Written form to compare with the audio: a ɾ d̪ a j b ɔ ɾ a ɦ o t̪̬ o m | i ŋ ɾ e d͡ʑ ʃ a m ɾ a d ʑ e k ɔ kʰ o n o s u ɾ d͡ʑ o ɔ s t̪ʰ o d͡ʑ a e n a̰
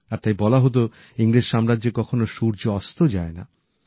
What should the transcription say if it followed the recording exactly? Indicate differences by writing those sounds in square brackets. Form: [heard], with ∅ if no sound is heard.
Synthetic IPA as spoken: a ɾ [t̪] a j b ɔ [l] a ɦ o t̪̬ o [∅] | i ŋ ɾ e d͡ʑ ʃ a m ɾ a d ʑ e k ɔ kʰ o n o [ʃ] u ɾ d͡ʑ o ɔ s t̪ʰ o d͡ʑ a e n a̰